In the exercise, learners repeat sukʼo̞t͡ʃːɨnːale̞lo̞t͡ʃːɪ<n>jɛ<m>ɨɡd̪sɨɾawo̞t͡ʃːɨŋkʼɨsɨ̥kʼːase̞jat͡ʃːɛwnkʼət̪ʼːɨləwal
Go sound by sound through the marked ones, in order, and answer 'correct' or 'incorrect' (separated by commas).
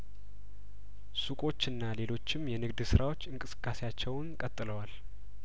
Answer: incorrect, incorrect